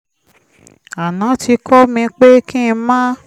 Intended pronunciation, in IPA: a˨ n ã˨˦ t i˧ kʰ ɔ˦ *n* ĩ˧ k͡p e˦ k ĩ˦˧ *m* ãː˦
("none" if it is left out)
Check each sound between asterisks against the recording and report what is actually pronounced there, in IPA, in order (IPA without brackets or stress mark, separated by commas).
m, m